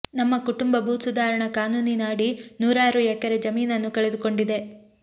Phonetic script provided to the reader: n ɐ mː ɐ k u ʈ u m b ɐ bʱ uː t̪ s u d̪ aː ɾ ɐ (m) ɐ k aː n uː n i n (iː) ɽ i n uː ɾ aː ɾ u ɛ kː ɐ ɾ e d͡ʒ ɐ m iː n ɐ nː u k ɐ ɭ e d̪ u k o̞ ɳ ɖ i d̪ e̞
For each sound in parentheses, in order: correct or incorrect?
incorrect: ɳ, incorrect: aː

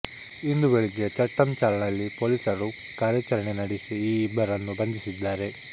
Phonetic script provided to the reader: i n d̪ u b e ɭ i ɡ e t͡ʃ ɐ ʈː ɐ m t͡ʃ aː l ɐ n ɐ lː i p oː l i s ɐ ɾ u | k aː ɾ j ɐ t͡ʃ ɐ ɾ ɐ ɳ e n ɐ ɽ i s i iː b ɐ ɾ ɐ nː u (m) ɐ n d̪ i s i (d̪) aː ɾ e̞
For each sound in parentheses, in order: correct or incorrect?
incorrect: b, incorrect: d̪ː

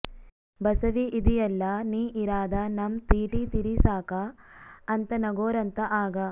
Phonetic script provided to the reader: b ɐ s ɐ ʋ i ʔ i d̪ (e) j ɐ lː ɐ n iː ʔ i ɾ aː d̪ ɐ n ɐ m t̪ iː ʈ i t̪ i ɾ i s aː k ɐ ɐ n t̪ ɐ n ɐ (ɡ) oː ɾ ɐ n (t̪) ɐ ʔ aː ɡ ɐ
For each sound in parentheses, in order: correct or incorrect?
incorrect: i, correct, correct

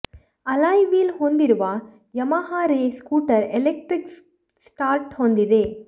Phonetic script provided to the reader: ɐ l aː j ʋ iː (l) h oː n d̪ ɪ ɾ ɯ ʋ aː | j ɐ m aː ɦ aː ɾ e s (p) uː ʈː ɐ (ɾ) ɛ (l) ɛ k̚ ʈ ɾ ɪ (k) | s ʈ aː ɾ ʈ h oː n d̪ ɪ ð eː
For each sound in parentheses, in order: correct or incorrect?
correct, incorrect: k, correct, correct, correct

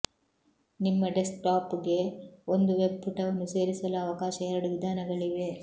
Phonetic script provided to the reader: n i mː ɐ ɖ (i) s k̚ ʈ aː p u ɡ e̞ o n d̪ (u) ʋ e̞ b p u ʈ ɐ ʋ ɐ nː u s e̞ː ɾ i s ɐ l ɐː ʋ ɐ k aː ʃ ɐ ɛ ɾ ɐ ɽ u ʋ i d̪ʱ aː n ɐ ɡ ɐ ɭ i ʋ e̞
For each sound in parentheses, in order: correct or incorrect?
incorrect: e, correct

